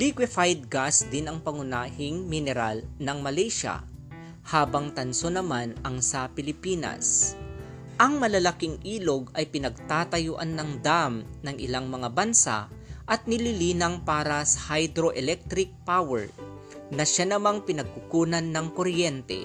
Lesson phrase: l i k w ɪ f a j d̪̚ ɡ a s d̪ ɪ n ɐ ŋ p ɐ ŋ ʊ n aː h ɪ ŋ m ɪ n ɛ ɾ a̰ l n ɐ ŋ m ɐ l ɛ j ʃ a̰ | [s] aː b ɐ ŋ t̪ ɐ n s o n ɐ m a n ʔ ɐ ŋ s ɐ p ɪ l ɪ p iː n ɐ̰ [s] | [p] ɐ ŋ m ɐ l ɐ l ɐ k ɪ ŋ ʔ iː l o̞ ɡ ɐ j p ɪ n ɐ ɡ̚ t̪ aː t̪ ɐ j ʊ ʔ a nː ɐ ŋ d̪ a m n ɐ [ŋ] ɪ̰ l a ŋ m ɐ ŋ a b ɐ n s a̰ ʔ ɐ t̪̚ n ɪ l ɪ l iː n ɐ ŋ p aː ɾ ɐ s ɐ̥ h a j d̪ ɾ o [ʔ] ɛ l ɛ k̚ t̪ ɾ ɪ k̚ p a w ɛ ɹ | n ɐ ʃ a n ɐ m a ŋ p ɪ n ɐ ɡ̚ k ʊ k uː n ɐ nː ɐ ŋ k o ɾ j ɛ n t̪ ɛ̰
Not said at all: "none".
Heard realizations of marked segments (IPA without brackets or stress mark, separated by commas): h, s, ʔ, ŋ, ʔ